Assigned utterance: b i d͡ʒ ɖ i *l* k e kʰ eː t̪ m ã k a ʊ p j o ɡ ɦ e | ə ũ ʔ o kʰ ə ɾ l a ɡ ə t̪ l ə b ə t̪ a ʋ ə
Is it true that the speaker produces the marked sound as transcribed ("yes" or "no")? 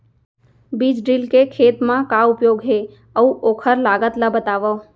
yes